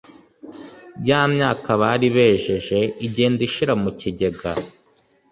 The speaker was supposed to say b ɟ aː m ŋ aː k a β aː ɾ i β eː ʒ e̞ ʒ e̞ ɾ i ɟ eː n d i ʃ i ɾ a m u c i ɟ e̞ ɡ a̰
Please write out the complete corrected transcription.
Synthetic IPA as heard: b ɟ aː m ɲ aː k a β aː ɾ i β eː ʒ e̞ ʒ e̞ i ɟ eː n d i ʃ i ɾ a m u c i ɟ e̞ ɡ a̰